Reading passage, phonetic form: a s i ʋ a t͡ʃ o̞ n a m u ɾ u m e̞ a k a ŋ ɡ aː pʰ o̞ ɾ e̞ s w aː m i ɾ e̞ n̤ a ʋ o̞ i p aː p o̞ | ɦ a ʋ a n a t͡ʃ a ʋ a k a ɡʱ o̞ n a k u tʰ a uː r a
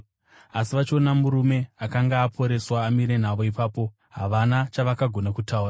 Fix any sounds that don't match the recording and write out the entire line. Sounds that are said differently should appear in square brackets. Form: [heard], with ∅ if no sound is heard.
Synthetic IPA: a s i ʋ a t͡ʃ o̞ n a m u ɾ u m e̞ a k a ŋ ɡ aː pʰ o̞ ɾ e̞ s w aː m i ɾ e̞ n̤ a ʋ o̞ i p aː p o̞ | ɦ a ʋ a n a t͡ʃ a ʋ a k a ɡʱ o̞ n a k u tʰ a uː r a